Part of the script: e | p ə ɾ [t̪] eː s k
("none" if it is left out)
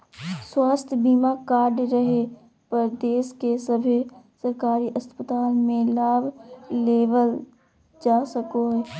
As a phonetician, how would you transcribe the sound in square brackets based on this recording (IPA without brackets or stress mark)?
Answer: d̪